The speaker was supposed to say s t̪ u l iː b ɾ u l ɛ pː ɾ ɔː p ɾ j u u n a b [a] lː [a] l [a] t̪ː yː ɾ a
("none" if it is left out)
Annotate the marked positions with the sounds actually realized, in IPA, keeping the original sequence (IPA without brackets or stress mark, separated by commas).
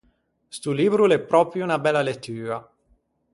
ɛ, a, e